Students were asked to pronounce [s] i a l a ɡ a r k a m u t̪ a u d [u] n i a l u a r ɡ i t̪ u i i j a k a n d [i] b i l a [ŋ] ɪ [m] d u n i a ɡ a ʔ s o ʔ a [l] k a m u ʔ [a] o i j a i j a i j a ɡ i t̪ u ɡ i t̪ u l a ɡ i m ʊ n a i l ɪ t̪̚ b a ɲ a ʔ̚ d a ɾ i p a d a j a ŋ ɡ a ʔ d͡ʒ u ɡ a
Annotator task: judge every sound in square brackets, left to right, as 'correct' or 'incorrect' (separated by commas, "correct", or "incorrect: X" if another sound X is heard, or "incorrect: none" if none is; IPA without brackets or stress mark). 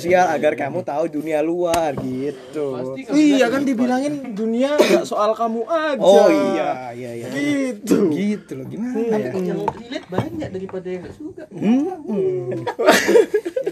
correct, correct, correct, correct, incorrect: n, correct, correct